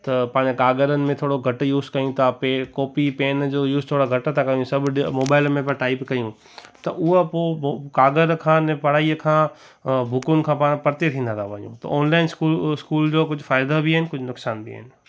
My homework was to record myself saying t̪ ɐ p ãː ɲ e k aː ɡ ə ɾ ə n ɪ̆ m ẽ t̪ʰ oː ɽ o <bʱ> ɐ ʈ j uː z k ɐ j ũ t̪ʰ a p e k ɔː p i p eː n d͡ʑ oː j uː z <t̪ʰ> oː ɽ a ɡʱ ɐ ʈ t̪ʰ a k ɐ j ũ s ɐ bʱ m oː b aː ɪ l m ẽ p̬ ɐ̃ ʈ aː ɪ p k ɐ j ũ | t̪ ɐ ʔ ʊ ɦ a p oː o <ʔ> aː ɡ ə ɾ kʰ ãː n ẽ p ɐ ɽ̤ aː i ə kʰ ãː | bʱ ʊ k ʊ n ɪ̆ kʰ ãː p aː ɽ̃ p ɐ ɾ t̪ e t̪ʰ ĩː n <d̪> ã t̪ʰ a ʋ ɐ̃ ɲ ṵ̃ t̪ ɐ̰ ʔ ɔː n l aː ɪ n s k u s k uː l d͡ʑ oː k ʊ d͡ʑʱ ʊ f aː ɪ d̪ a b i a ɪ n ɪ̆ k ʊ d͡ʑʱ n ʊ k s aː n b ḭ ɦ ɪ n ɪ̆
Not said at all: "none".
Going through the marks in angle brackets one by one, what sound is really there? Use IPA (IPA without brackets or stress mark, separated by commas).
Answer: ɡʱ, t̪ʰ, k, d̪